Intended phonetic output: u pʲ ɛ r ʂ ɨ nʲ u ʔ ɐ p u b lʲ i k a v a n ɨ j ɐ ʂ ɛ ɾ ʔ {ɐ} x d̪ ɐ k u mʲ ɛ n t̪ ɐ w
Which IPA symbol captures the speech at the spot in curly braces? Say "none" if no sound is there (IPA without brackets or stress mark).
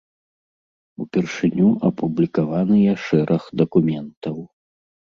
ɐ